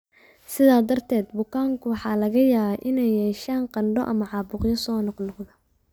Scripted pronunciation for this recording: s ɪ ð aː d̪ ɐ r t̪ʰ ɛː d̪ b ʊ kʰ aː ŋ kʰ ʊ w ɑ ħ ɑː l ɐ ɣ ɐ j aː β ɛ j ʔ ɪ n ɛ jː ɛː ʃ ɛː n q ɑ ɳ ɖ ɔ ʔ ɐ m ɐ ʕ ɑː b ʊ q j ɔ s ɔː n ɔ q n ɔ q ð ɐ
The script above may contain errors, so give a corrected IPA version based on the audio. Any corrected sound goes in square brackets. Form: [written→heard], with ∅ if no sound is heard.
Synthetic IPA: s ɪ ð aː d̪ ɐ r t̪ʰ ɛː d̪ b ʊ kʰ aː ŋ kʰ ʊ w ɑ ħ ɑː l ɐ ɣ ɐ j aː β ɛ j ʔ ɪ n ɛ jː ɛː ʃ [ɛː→aː] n q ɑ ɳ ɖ ɔ ʔ ɐ m ɐ ʕ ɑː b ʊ q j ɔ s ɔː n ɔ q n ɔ q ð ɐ